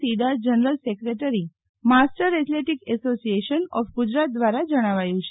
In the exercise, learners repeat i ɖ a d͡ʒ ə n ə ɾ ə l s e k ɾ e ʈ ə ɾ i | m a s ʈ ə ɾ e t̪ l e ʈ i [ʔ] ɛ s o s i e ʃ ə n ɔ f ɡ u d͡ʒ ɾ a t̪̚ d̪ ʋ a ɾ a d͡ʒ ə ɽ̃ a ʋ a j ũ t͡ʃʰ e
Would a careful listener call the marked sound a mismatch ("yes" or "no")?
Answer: yes